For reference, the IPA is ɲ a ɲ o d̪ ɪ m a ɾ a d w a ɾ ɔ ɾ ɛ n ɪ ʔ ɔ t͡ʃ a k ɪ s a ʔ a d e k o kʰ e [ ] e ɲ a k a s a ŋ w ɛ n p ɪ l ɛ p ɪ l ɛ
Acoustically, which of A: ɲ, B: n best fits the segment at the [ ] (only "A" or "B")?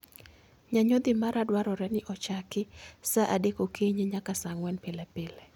A